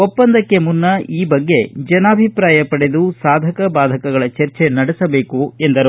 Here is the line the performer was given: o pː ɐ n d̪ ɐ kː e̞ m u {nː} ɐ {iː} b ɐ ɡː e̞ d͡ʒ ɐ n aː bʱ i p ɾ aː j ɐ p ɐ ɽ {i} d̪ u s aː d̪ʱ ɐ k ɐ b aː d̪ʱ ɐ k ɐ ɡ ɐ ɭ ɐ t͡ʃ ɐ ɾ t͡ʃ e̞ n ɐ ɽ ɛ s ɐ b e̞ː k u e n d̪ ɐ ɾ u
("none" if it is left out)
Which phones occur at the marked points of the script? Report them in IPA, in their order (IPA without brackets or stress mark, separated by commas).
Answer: nː, iː, e